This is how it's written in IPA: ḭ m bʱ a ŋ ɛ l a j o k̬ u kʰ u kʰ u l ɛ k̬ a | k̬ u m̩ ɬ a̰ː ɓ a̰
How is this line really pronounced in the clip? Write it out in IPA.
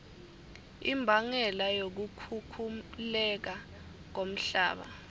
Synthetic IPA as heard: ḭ m bʱ a ŋ ɛ l a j o k̬ u kʰ u kʰ u l ɛ k̬ a | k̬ o m̩ ɬ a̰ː ɓ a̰